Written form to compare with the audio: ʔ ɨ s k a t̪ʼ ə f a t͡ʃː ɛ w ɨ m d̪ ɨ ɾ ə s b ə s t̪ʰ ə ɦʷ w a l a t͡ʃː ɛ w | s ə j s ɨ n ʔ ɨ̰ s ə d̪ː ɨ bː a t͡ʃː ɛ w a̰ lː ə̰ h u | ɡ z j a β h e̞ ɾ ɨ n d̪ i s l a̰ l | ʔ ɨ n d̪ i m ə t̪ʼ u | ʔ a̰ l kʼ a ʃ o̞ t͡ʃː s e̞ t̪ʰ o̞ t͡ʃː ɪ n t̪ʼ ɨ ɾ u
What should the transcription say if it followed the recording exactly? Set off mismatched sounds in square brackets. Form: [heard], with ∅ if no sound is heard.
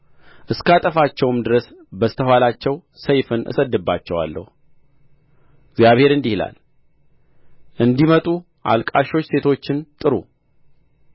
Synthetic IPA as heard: ʔ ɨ s k a t̪ʼ ə f a t͡ʃː ɛ w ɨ m d̪ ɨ ɾ ə s b ə s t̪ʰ ə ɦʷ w a l a t͡ʃː ɛ w | s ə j [f] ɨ n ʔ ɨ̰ s ə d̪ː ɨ bː a t͡ʃː ɛ w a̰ lː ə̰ h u | ɡ z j a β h e̞ ɾ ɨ n d̪ i [h] l a̰ l | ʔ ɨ n d̪ i m ə t̪ʼ u | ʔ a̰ l kʼ a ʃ o̞ t͡ʃː s e̞ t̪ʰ o̞ t͡ʃː ɪ n t̪ʼ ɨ ɾ u